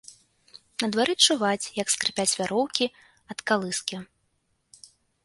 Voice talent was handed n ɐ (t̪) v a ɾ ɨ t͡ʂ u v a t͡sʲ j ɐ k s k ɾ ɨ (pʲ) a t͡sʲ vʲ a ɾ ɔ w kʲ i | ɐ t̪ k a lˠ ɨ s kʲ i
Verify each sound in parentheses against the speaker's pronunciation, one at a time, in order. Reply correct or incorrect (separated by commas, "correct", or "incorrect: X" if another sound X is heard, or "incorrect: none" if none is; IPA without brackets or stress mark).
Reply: incorrect: d̪, correct